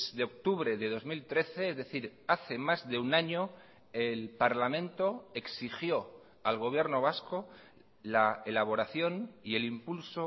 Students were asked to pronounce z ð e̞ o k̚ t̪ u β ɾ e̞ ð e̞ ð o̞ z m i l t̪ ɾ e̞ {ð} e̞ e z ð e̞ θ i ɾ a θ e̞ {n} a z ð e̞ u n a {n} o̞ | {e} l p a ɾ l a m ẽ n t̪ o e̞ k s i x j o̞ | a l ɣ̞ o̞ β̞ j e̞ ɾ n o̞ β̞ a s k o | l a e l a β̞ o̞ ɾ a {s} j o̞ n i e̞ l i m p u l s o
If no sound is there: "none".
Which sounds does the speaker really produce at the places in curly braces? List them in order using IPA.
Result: θ, m, ɲ, e, θ

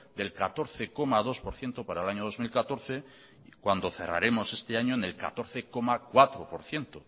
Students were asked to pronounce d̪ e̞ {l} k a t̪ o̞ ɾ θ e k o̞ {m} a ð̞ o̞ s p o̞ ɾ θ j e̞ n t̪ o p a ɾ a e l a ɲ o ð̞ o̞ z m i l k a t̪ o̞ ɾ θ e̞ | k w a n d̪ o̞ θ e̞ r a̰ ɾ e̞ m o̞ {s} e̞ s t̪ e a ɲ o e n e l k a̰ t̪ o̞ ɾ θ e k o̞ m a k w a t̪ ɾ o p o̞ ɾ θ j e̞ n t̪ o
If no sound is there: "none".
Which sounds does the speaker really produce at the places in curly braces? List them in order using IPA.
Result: l, m, s

